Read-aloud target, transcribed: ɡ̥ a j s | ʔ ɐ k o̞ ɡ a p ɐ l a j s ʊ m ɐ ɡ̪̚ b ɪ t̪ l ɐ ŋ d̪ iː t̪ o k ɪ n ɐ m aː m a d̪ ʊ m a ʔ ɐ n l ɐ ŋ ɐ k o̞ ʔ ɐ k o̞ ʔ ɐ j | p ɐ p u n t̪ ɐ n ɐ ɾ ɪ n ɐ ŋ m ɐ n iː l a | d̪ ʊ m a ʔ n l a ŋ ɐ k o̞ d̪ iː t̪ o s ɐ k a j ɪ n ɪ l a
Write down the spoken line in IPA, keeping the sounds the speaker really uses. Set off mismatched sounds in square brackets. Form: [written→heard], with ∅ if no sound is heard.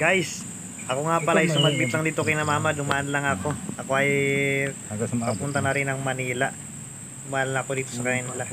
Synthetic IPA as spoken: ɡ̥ a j s | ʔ ɐ k o̞ [ɡ→ŋ] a p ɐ l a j s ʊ m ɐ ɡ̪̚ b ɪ t̪ l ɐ ŋ d̪ iː t̪ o k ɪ n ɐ m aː m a d̪ ʊ m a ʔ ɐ n l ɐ ŋ ɐ k o̞ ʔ ɐ k o̞ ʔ ɐ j | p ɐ p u n t̪ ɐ n ɐ ɾ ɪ n ɐ ŋ m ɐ n iː l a | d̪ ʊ m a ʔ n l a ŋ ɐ k o̞ d̪ iː t̪ o s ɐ k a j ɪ n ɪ l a

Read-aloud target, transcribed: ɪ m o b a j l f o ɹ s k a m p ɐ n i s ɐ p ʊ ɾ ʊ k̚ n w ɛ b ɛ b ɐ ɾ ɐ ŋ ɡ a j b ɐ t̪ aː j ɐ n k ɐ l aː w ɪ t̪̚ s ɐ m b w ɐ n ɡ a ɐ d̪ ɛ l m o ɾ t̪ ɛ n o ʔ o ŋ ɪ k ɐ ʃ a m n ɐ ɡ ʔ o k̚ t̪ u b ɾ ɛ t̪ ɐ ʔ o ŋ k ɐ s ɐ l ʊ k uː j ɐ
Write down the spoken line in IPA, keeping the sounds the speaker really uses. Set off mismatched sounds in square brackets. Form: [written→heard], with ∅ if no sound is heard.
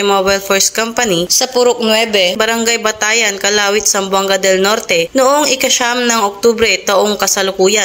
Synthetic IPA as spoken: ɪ m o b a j l f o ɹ s k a m p ɐ n i s ɐ p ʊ ɾ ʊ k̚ n w ɛ b ɛ b ɐ ɾ ɐ ŋ ɡ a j b ɐ t̪ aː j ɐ n k ɐ l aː w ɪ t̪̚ s ɐ m b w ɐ [n→ŋ] ɡ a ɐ d̪ ɛ l [m→n] o ɾ t̪ ɛ n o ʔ o ŋ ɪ k ɐ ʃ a m n ɐ [ɡ→ŋ] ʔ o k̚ t̪ u b ɾ ɛ t̪ ɐ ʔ o ŋ k ɐ s ɐ l ʊ k uː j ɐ

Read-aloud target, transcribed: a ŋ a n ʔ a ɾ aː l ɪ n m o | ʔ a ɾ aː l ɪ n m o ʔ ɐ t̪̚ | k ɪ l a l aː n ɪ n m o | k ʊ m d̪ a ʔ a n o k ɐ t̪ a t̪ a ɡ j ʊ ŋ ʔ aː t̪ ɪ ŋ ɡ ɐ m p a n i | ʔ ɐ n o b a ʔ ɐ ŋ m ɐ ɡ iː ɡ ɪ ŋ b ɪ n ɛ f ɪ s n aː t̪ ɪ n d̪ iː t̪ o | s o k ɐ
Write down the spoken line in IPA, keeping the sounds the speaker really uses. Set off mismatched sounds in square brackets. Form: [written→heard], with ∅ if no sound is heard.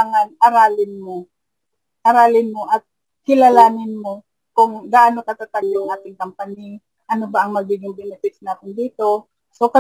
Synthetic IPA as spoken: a ŋ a n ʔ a ɾ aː l ɪ n m o | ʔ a ɾ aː l ɪ n m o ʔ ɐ t̪̚ | k ɪ l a l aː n ɪ n m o | k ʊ [m→ŋ] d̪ a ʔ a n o k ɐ t̪ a t̪ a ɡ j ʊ ŋ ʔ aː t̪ ɪ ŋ [ɡ→k] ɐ m p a n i | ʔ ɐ n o b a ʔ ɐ ŋ m ɐ ɡ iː ɡ ɪ ŋ b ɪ n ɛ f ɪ s n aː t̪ ɪ n d̪ iː t̪ o | s o k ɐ

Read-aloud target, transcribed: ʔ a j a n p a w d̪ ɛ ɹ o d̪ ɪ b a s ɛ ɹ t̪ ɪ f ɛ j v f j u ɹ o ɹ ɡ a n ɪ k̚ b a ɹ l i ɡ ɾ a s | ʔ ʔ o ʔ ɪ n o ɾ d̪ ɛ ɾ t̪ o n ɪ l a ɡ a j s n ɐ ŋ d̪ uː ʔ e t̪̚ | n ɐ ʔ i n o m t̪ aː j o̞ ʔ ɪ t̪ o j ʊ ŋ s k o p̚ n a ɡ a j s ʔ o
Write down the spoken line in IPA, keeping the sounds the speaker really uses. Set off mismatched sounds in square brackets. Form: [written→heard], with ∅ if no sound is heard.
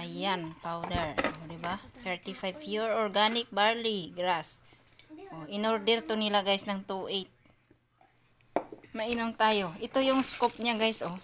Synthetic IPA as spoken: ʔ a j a n p a w d̪ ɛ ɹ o d̪ ɪ b a s ɛ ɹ t̪ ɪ f [ɛ→a] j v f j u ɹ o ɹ ɡ a n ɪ k̚ b a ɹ l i ɡ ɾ a s | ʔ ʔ o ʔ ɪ n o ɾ d̪ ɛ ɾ t̪ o n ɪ l a ɡ a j s n ɐ ŋ [d̪→t̪] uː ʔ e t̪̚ | [n→m] ɐ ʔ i n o m t̪ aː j o̞ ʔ ɪ t̪ o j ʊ ŋ s k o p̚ [n→ɲ] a ɡ a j s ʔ o

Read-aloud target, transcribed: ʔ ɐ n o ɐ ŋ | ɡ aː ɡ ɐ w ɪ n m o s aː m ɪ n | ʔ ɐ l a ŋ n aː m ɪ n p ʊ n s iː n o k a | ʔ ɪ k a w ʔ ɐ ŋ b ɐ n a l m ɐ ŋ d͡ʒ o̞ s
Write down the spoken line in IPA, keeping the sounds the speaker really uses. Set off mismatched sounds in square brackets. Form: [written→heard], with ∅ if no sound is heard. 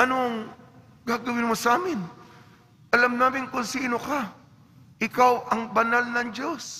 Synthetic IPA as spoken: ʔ ɐ n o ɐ ŋ | ɡ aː ɡ ɐ w ɪ n m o s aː m ɪ n | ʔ ɐ l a [ŋ→m] n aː m ɪ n [p→k] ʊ n s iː n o k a | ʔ ɪ k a w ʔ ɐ ŋ b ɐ n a l [m→n] ɐ ŋ d͡ʒ o̞ s

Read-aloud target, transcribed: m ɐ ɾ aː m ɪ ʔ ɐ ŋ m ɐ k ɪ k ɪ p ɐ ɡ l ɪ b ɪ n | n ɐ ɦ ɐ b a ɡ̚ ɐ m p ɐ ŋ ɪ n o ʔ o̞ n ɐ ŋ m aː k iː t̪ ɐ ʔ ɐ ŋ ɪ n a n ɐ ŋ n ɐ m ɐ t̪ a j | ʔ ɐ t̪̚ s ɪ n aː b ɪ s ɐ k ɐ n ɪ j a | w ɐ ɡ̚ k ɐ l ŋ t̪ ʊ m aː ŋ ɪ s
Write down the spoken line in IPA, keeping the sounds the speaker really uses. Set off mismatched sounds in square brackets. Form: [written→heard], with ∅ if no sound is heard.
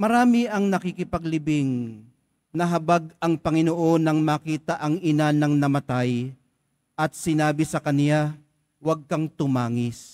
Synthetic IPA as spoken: m ɐ ɾ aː m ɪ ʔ ɐ ŋ [m→n] ɐ k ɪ k ɪ p ɐ ɡ l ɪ b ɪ [n→ŋ] | n ɐ ɦ ɐ b a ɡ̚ ɐ [m→ŋ] p ɐ ŋ ɪ n o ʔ o̞ n ɐ ŋ m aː k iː t̪ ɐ ʔ ɐ ŋ ɪ n a n ɐ ŋ n ɐ m ɐ t̪ a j | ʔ ɐ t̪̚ s ɪ n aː b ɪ s ɐ k ɐ n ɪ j a | w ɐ ɡ̚ k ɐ [l→∅] ŋ t̪ ʊ m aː ŋ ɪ s

